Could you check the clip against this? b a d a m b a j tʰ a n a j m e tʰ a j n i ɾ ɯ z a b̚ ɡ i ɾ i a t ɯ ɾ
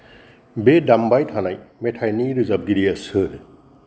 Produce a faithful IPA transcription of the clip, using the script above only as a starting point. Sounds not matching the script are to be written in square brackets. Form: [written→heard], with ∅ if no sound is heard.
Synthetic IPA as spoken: b [a→e] d a m b a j tʰ a n a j m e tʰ a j n i ɾ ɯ z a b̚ ɡ i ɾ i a [t→s] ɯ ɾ